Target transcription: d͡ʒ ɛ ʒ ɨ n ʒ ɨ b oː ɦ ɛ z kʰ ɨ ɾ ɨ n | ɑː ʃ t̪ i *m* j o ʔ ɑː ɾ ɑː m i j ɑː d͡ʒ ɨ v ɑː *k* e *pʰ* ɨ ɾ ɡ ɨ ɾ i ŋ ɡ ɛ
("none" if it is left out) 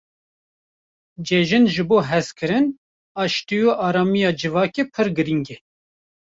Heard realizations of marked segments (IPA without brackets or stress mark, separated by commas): none, k, pʰ